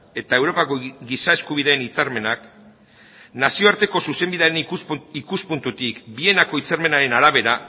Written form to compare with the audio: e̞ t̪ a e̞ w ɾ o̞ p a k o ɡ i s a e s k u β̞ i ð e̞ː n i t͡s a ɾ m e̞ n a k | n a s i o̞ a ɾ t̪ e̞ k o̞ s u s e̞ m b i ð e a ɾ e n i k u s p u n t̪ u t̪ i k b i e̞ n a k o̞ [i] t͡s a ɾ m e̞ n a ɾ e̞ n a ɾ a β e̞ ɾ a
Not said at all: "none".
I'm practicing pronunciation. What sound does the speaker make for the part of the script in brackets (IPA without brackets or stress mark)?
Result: i